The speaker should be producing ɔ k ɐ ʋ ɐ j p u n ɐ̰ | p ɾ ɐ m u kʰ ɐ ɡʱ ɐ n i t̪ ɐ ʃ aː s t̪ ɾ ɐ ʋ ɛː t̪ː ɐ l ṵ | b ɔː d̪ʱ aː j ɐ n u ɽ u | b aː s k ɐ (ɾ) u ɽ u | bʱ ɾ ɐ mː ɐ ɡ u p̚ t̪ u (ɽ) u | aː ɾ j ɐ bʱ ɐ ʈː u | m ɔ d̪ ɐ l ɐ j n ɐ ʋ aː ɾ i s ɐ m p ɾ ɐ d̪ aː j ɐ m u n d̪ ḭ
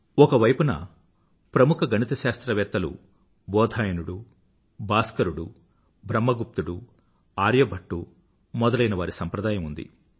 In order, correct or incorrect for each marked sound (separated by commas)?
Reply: correct, correct